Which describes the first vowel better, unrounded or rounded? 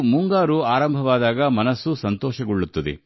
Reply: rounded